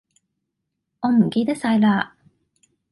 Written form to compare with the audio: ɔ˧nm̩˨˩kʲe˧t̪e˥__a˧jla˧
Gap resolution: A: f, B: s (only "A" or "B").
B